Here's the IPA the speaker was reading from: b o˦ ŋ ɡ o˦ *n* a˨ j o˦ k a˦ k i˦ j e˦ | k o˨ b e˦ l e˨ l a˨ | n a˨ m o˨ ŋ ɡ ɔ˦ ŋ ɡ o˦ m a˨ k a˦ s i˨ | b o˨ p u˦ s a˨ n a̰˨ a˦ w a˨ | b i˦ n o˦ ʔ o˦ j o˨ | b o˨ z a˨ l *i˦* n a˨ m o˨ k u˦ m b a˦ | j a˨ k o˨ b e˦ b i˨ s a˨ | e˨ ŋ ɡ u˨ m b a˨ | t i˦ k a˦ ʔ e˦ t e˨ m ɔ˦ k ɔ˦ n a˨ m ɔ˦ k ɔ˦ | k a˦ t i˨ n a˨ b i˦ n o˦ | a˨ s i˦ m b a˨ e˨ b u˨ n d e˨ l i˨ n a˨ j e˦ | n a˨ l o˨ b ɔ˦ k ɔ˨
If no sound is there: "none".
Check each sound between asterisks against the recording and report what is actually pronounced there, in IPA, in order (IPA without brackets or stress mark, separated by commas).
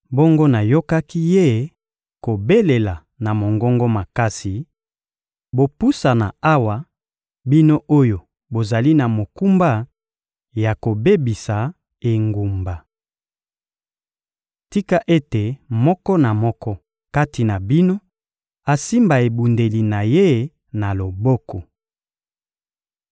n, i˦